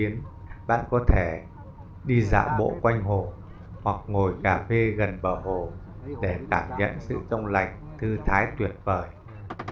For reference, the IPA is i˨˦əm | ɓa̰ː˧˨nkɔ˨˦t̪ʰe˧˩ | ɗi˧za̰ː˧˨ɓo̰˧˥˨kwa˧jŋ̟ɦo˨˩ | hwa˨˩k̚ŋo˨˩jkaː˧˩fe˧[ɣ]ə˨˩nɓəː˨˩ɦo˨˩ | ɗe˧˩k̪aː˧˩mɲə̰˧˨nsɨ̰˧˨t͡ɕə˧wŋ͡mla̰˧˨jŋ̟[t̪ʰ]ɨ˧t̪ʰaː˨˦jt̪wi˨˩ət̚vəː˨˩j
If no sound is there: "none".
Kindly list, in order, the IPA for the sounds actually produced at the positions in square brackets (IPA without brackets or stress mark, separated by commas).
ɣ, t̪ʰ